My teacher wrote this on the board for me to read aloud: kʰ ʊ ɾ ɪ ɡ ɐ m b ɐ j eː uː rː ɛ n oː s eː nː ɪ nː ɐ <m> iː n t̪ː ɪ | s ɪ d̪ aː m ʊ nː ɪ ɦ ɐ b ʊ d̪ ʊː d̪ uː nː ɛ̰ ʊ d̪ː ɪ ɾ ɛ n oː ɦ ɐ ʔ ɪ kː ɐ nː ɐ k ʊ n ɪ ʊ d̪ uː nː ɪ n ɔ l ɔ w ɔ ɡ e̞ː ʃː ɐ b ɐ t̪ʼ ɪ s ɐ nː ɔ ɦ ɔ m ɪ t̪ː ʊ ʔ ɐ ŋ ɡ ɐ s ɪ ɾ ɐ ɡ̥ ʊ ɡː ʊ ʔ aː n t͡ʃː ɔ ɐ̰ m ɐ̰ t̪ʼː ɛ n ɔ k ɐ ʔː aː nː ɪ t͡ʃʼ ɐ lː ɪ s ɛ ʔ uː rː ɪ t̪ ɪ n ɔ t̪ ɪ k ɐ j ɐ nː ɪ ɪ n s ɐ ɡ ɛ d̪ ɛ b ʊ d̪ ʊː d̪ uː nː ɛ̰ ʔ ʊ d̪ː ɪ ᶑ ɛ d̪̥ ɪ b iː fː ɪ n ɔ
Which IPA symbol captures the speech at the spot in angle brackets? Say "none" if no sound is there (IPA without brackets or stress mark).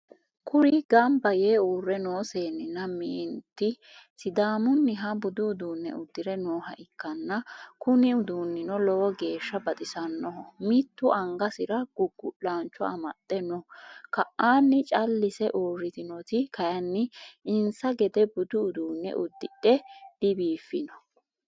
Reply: m